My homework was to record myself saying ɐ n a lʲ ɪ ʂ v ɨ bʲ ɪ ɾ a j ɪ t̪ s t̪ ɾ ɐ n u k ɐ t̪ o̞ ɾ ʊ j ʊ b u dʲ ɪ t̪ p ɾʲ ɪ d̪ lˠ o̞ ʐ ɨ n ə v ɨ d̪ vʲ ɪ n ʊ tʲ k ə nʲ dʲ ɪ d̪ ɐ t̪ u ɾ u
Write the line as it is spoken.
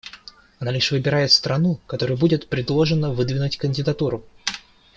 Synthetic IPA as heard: ɐ n a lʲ ɪ ʂ v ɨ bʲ ɪ ɾ a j ɪ t̪ s t̪ ɾ ɐ n u k ɐ t̪ o̞ ɾ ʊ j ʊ b u dʲ ɪ t̪ p ɾʲ ɪ d̪ lˠ o̞ ʐ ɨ n ə v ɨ d̪ vʲ ɪ n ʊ tʲ k ə nʲ dʲ ɪ d̪ ɐ t̪ u ɾ ʊ